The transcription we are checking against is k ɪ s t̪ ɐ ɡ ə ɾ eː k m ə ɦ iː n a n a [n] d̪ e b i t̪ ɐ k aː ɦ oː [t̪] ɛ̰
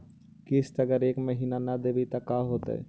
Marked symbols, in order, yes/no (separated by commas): no, yes